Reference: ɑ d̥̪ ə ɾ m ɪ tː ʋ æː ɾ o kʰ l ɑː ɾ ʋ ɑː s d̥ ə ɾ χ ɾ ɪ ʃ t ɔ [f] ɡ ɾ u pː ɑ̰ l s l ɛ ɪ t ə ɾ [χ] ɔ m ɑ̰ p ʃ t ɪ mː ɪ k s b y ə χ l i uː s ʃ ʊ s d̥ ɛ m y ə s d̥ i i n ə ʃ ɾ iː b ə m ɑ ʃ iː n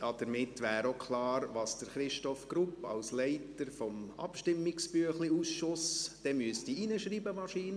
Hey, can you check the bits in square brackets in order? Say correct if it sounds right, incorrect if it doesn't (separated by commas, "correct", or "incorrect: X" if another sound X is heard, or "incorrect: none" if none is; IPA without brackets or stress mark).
correct, incorrect: f